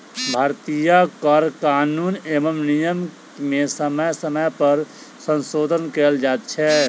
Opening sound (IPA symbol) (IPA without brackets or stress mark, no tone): bʱ